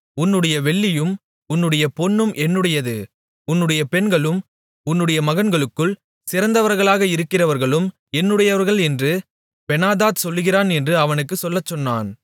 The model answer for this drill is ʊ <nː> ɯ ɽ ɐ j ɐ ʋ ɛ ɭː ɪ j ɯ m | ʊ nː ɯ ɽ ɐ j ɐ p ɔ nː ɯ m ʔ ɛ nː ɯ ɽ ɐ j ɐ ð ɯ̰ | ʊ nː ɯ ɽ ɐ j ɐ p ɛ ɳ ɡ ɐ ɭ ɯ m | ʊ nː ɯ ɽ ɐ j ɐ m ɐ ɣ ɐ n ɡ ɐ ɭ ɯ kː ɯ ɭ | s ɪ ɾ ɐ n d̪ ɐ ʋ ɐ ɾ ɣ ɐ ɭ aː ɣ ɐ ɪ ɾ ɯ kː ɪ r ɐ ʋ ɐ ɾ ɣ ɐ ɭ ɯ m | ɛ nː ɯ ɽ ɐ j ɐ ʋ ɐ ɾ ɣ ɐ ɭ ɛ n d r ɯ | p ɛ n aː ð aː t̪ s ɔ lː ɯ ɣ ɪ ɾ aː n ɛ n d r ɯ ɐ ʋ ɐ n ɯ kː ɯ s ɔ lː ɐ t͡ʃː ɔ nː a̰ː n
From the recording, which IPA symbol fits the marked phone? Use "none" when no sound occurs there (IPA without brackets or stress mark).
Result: nː